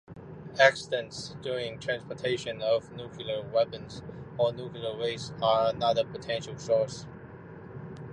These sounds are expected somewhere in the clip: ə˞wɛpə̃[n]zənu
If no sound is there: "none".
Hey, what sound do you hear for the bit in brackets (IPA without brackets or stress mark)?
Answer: n